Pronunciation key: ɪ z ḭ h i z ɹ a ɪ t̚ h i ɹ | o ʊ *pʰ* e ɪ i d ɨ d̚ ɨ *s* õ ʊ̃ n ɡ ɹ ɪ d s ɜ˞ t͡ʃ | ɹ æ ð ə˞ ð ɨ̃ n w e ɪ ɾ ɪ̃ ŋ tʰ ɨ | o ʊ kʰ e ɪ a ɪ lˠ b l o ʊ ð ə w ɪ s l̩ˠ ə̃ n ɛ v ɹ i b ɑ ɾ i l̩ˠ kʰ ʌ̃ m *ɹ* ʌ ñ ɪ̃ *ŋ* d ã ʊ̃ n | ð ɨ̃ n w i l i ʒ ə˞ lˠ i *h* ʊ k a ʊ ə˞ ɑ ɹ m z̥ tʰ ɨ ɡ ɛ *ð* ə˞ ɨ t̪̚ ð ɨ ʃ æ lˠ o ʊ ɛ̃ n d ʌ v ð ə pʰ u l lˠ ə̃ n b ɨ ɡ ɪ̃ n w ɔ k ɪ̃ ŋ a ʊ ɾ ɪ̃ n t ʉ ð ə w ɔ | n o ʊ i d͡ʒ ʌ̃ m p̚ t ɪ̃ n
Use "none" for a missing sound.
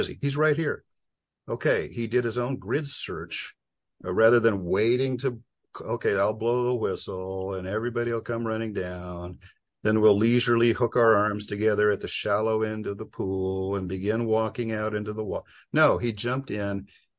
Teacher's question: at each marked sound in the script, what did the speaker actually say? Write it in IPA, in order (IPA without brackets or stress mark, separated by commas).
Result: kʰ, z, ɹ, ŋ, h, ð